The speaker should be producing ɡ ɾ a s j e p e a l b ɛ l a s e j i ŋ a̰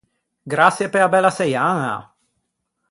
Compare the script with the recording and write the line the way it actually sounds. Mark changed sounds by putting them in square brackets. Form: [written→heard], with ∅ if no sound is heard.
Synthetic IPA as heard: ɡ ɾ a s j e p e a [l→∅] b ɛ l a s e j [i→a] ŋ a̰